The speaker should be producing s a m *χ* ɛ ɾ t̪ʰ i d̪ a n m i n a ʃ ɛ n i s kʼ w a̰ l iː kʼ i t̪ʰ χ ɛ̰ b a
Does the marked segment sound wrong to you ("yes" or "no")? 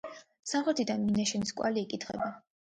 no